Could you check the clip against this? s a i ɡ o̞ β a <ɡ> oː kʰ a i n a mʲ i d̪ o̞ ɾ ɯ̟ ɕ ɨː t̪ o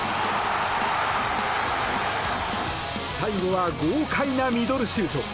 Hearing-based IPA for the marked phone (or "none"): ɡ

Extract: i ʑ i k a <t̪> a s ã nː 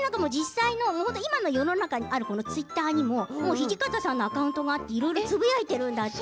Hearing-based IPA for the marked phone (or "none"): t̪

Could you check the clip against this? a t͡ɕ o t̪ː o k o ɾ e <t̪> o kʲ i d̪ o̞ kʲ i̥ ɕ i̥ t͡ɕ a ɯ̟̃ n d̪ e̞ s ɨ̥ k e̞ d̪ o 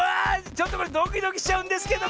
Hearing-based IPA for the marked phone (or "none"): d̪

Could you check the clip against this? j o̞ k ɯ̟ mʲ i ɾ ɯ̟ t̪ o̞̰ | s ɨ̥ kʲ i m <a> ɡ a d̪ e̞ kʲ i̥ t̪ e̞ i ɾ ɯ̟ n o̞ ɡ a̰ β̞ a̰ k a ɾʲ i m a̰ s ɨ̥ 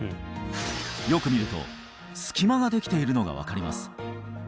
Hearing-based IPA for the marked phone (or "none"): a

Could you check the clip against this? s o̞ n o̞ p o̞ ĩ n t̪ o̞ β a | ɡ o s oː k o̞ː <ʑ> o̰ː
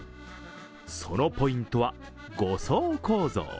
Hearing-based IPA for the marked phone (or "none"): z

